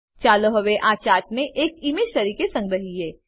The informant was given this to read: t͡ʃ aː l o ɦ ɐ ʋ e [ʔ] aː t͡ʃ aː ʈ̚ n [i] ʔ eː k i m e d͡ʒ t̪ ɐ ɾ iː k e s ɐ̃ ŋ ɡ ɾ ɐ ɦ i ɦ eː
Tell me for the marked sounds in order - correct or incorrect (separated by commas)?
correct, incorrect